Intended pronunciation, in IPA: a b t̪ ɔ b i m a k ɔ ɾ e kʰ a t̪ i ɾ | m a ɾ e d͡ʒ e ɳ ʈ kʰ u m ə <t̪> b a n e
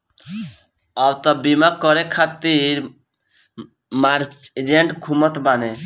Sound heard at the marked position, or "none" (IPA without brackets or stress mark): t̪